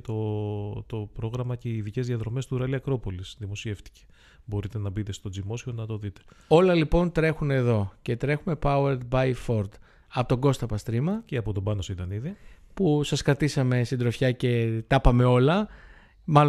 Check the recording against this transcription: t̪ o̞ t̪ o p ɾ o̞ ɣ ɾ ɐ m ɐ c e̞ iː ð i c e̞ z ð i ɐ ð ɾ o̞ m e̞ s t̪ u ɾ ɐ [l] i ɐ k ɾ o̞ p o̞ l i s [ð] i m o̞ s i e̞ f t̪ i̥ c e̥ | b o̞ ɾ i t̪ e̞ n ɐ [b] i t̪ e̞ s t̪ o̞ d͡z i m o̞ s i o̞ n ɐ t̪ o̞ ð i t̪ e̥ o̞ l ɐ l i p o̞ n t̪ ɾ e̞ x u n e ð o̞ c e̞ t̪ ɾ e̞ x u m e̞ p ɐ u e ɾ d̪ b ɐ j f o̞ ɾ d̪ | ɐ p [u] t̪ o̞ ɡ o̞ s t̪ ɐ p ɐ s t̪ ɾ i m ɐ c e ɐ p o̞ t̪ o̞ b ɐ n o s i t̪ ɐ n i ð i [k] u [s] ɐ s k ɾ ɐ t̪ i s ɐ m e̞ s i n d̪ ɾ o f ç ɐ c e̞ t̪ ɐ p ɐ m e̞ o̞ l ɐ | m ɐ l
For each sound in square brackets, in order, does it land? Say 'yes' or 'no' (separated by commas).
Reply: yes, yes, yes, no, no, yes